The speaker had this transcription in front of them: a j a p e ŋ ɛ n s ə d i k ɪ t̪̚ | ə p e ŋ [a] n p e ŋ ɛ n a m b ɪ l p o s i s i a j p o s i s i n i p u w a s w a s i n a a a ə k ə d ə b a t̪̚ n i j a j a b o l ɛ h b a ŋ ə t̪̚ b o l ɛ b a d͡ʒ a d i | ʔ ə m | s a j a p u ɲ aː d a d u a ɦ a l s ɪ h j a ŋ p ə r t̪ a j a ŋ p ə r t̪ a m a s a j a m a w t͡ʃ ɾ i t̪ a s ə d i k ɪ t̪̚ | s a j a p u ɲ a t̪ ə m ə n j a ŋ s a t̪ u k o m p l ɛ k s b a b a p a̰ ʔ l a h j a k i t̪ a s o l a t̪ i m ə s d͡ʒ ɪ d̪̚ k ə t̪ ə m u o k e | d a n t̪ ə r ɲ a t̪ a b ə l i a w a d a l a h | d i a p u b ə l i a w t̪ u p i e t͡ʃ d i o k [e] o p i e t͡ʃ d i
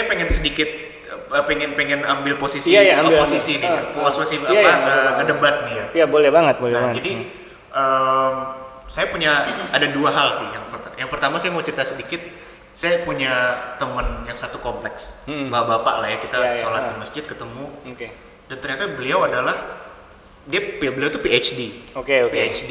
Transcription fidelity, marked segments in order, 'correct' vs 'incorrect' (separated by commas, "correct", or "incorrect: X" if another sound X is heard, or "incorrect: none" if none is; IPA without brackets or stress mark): incorrect: ɛ, correct